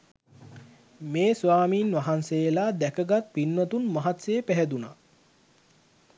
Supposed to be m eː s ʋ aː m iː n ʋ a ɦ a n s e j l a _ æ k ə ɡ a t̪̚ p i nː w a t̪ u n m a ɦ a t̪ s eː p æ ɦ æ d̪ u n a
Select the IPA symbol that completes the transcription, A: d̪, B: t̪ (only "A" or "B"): A